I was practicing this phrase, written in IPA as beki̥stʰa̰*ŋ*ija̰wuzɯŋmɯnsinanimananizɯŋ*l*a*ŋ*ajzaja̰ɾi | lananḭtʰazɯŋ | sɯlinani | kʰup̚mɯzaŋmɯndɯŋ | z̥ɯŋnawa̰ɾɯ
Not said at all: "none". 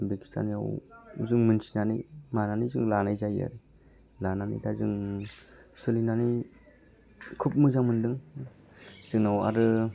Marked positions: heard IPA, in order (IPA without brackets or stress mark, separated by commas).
n, l, n